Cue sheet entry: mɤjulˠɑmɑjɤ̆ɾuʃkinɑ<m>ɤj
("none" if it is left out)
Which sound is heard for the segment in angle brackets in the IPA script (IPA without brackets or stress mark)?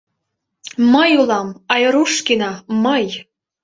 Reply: m